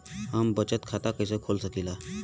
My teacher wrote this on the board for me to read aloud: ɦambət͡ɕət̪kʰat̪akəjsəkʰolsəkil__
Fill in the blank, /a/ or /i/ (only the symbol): a